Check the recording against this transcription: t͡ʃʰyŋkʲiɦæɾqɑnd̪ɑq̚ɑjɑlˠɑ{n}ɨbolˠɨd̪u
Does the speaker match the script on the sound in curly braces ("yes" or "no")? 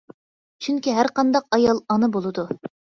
yes